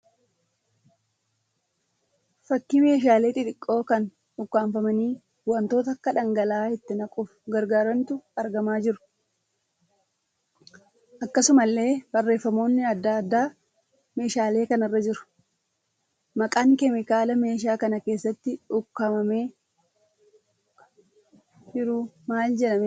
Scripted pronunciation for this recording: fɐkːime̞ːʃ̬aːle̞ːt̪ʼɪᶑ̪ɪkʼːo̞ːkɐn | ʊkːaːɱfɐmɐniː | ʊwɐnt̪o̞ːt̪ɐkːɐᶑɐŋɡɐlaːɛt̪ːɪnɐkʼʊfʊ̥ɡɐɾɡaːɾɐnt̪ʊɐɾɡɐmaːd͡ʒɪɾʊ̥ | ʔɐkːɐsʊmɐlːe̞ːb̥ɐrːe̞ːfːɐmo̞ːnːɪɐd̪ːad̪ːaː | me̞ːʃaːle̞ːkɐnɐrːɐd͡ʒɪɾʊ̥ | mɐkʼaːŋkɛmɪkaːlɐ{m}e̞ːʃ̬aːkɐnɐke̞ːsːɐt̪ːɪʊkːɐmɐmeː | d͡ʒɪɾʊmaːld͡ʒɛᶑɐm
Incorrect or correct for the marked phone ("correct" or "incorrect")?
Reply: correct